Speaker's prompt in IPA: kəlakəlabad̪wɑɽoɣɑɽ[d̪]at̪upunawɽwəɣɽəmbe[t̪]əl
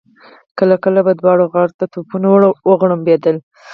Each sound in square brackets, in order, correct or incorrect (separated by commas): incorrect, incorrect